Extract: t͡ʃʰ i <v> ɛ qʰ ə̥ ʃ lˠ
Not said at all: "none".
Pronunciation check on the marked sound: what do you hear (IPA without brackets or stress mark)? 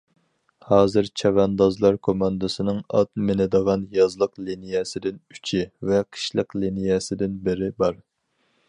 v